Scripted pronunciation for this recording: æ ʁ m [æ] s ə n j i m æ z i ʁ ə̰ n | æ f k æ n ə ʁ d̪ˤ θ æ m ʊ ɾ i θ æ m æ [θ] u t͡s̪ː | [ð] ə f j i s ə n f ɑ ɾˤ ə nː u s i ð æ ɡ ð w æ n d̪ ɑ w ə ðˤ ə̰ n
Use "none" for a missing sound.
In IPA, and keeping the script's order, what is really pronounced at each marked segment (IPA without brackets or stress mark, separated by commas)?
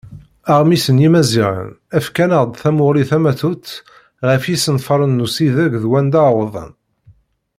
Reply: i, θ, ʁ